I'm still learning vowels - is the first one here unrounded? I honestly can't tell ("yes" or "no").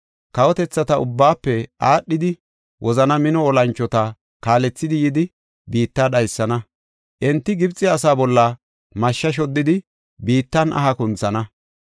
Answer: yes